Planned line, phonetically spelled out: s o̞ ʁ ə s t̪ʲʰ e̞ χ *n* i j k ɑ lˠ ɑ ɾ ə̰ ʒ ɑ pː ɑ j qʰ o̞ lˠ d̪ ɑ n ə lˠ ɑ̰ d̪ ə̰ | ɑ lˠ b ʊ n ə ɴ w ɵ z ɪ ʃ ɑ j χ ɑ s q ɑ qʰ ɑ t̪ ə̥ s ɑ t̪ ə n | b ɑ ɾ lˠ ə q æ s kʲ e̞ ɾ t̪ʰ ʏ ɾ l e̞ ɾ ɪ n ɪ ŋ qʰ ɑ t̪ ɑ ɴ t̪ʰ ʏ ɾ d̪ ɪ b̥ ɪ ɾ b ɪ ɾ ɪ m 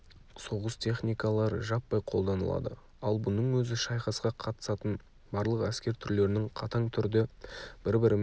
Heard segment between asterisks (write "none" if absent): n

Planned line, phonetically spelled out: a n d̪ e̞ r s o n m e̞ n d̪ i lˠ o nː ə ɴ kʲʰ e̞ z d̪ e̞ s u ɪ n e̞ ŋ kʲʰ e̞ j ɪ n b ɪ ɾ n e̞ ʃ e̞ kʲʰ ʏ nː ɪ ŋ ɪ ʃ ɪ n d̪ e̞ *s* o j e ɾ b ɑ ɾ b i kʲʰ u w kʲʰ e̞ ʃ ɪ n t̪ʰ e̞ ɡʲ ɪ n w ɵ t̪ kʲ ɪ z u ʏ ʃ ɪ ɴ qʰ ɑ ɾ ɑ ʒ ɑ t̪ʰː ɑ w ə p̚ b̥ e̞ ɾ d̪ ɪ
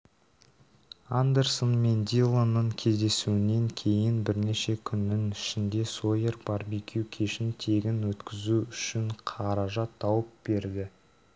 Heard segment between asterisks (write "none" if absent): s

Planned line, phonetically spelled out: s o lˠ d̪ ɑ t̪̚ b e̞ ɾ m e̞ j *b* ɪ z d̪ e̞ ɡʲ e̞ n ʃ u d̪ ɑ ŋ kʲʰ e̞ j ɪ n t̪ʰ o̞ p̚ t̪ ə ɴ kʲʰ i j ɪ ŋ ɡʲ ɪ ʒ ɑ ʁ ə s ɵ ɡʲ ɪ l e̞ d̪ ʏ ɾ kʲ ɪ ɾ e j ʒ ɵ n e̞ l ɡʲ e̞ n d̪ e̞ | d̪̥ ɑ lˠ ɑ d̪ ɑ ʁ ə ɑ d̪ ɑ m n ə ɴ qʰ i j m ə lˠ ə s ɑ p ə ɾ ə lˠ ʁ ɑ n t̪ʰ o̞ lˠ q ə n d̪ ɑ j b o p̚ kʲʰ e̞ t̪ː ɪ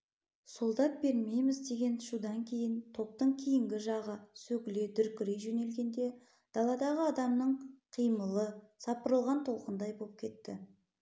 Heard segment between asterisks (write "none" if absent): m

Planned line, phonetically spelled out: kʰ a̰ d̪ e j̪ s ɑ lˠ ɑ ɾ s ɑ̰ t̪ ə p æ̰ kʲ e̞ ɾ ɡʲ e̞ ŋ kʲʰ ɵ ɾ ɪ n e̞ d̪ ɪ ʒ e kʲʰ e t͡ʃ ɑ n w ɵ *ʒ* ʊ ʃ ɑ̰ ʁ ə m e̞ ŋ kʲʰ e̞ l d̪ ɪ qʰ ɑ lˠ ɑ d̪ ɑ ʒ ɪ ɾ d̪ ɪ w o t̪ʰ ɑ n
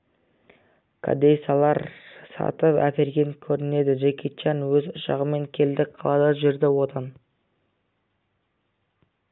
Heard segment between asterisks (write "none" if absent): z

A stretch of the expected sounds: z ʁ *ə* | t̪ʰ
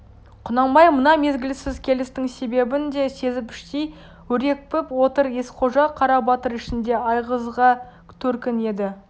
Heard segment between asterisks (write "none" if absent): ɑ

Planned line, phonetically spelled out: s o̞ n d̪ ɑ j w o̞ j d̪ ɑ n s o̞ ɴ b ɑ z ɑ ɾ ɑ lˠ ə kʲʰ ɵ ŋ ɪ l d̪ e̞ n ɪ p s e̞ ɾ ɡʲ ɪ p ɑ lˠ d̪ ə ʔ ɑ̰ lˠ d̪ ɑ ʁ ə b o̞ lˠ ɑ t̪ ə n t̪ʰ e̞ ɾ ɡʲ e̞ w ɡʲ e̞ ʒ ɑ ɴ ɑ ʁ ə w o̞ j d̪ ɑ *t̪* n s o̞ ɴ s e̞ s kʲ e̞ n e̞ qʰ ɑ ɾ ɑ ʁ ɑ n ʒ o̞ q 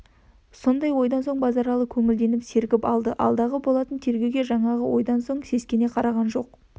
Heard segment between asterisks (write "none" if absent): none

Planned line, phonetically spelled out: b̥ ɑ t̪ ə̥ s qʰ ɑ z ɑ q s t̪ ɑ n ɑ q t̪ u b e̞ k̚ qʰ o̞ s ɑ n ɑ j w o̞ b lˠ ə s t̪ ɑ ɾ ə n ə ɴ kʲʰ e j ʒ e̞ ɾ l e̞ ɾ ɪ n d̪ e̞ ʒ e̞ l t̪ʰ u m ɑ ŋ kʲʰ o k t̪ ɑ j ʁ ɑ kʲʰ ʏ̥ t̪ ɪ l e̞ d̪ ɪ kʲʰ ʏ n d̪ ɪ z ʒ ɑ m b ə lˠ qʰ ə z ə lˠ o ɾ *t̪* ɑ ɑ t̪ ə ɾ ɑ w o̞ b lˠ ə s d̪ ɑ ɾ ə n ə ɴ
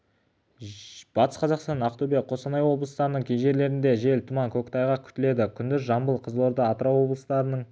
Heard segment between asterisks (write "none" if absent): d̪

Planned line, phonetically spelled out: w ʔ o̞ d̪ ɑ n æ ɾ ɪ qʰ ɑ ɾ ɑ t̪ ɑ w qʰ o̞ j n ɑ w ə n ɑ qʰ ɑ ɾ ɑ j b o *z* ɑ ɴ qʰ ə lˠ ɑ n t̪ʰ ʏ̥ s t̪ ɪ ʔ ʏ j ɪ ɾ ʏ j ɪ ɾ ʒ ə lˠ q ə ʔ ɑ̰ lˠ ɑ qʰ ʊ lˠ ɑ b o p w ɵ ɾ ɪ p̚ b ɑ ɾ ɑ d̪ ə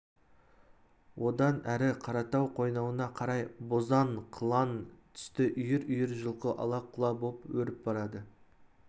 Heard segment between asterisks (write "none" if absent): z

